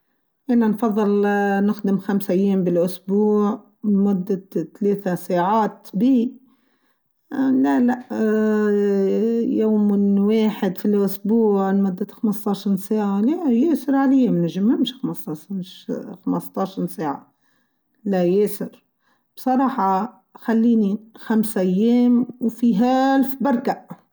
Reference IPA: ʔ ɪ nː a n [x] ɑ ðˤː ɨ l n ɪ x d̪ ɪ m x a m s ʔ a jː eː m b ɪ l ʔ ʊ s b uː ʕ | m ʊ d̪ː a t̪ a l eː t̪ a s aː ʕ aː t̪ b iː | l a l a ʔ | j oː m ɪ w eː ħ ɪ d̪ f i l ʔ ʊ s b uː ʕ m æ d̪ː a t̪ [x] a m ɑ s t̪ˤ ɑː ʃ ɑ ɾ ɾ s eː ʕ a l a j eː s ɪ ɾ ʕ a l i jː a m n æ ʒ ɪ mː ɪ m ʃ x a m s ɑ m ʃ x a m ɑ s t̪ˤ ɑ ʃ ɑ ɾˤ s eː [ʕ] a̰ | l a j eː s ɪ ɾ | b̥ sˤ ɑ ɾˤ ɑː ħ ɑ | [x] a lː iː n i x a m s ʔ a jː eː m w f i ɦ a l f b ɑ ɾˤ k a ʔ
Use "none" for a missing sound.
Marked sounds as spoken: f, x, ʕ, x

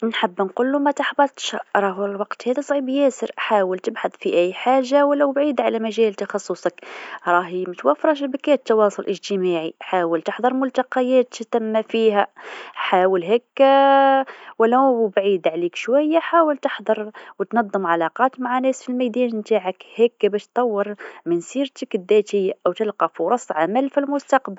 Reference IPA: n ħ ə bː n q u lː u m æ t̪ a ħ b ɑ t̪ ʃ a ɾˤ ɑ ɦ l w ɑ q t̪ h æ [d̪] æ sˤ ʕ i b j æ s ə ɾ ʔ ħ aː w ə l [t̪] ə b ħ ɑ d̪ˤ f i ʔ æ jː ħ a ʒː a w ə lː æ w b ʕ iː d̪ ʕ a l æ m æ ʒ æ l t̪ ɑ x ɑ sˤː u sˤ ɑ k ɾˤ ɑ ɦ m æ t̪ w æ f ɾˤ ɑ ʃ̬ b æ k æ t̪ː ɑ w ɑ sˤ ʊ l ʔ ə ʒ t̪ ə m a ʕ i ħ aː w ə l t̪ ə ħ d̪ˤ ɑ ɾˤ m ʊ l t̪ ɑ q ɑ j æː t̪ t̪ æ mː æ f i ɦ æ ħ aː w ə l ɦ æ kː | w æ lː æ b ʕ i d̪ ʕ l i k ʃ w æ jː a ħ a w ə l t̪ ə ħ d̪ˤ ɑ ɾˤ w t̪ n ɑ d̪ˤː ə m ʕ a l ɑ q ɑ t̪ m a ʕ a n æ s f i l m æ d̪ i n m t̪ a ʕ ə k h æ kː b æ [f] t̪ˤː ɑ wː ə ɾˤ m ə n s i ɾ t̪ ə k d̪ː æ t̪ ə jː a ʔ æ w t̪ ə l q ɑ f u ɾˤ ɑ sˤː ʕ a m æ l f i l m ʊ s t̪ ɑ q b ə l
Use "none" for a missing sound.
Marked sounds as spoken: d̪, t̪, ʃ

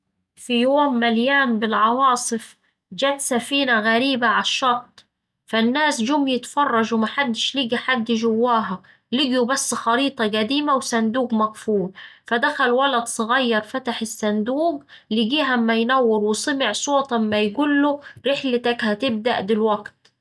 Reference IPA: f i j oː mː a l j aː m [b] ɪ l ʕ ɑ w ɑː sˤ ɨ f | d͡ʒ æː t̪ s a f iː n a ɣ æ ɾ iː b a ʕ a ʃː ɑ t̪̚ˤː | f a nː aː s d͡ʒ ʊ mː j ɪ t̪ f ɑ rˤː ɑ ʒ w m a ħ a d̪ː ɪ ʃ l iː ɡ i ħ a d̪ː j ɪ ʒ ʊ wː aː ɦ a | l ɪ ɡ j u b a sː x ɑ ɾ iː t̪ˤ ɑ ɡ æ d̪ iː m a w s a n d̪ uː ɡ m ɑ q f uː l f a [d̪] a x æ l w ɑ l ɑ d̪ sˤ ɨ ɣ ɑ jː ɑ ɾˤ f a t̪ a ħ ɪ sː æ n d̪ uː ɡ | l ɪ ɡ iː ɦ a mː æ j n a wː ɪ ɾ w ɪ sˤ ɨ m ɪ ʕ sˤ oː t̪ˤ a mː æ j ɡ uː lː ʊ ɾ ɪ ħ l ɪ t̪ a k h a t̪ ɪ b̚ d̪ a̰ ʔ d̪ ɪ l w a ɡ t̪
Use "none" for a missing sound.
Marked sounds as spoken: b, d̪

